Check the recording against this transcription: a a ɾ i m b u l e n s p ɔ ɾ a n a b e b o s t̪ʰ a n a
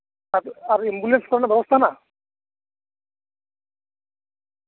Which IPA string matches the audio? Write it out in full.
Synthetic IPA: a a ɾ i m b u l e n s k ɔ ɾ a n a b ɛ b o s t̪ʰ a n a